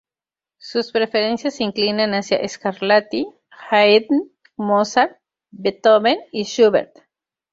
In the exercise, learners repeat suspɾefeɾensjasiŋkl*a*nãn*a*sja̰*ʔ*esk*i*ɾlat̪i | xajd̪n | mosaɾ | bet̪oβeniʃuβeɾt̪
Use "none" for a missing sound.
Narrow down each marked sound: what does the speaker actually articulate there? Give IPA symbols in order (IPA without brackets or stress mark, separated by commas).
i, a, ʔ, a